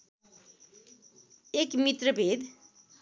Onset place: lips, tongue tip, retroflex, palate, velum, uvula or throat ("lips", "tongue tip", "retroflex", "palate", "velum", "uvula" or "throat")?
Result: velum